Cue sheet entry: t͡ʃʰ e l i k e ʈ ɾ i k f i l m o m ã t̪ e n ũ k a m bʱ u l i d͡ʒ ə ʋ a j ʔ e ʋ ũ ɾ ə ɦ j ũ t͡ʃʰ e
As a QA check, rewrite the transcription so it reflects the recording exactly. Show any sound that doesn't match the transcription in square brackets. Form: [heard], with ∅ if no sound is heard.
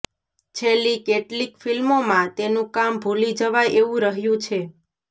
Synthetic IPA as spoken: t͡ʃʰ e l i k e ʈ [l] i k f i l m o m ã t̪ e n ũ k a m bʱ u l i d͡ʒ ə ʋ a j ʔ e ʋ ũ ɾ ə ɦ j ũ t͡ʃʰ e